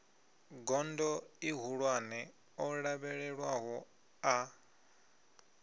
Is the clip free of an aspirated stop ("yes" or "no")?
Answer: yes